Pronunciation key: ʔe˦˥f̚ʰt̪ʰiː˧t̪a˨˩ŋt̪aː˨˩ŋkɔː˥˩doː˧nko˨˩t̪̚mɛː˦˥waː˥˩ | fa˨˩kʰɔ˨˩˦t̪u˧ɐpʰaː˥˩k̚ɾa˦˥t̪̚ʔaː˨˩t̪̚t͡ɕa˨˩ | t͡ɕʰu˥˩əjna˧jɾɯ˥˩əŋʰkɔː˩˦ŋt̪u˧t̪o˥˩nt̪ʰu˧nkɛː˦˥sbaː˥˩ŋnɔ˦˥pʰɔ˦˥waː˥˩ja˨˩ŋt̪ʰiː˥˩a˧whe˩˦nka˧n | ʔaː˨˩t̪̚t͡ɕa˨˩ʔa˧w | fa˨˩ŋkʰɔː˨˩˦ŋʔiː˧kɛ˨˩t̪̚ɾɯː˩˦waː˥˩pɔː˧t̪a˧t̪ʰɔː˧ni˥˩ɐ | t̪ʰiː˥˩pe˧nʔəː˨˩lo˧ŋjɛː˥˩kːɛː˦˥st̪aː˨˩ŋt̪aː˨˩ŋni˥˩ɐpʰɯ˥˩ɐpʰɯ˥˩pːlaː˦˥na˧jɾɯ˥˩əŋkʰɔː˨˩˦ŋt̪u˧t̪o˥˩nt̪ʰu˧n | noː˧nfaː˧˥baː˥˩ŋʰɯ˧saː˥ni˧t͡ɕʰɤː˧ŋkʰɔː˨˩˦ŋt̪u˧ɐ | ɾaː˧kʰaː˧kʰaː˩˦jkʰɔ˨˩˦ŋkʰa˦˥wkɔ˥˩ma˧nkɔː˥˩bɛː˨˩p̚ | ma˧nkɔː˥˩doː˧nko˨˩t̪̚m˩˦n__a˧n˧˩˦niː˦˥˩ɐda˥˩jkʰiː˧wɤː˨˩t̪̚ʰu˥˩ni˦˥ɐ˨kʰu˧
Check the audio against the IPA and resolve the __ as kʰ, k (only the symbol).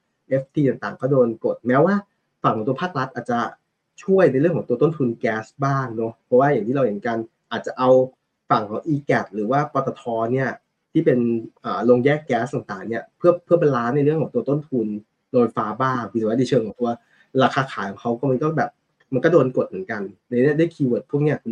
k